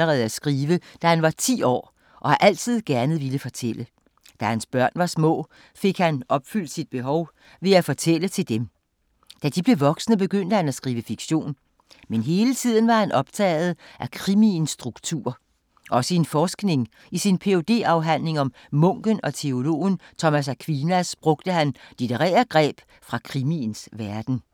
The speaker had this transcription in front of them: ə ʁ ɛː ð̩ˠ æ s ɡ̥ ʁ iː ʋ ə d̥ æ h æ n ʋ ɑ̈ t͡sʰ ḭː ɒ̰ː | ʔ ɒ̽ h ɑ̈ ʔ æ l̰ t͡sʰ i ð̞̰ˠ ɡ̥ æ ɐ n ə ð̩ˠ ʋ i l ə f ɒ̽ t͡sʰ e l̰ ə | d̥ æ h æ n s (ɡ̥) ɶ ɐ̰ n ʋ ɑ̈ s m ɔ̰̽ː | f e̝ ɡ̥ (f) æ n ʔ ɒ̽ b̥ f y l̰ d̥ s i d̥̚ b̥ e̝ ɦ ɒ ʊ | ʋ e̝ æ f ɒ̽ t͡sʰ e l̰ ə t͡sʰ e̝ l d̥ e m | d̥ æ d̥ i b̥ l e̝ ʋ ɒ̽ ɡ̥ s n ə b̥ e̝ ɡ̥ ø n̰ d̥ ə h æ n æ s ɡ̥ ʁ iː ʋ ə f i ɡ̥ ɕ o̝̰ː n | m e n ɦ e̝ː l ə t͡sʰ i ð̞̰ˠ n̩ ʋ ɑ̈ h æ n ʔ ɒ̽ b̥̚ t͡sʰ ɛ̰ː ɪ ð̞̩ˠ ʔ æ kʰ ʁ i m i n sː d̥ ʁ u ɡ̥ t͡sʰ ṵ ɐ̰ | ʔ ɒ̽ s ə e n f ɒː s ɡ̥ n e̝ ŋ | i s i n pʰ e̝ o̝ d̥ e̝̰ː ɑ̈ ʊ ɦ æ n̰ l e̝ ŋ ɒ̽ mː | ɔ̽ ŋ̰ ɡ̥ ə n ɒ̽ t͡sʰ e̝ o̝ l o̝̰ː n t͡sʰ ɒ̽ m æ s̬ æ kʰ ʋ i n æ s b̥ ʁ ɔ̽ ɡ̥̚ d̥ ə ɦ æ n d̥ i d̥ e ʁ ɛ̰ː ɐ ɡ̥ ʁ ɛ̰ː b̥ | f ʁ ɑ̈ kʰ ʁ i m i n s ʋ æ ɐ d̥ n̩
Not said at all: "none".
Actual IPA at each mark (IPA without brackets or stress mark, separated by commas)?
b̥, h